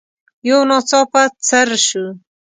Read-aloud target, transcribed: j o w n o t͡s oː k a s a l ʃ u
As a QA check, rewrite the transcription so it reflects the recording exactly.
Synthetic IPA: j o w n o t͡s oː p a t͡s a ɾ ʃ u